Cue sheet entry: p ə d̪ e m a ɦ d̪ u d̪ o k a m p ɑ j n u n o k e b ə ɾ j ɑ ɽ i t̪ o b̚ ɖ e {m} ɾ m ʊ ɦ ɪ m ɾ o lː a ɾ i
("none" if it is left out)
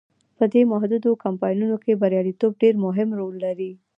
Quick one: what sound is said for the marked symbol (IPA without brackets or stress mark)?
none